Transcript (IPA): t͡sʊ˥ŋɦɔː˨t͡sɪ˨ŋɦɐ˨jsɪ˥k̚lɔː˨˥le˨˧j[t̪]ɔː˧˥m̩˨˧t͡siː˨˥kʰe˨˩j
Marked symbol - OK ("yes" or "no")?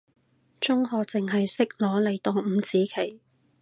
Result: yes